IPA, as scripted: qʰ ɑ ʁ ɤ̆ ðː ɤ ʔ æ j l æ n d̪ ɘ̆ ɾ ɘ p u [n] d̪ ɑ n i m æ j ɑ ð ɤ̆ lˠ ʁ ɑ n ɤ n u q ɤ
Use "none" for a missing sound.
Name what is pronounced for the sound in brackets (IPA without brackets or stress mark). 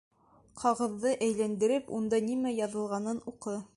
n